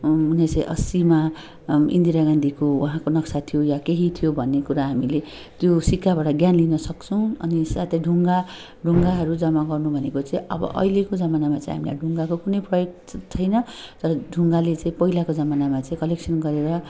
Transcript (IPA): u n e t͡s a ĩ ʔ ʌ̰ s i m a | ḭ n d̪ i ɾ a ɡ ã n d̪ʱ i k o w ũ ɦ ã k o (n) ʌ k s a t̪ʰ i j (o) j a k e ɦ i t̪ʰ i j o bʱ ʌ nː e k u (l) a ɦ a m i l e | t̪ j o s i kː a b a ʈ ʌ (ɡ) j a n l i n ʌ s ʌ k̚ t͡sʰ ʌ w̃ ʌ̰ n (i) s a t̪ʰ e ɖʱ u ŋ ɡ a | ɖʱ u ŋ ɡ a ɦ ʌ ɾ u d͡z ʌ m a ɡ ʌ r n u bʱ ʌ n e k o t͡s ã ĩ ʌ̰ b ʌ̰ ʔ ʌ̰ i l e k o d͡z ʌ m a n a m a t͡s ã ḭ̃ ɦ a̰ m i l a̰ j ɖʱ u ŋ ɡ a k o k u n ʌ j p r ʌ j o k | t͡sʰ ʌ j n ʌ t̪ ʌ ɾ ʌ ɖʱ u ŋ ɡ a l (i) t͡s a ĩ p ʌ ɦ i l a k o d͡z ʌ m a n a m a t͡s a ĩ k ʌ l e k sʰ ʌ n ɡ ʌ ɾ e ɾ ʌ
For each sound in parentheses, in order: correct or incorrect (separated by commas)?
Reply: correct, correct, incorrect, correct, correct, incorrect